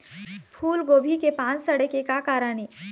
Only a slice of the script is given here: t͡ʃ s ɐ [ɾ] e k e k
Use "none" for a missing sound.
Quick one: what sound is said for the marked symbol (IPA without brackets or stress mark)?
ɽ